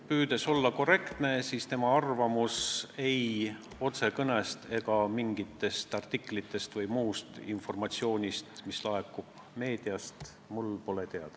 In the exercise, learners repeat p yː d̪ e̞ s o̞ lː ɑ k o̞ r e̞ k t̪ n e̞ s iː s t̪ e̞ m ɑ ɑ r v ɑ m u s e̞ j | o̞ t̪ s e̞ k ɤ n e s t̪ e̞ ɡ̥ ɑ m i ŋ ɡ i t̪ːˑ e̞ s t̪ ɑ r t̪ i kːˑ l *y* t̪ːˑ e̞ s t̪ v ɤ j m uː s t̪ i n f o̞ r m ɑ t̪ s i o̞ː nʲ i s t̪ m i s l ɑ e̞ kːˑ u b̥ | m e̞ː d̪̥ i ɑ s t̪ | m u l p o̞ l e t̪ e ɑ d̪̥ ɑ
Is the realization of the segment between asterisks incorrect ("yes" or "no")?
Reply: yes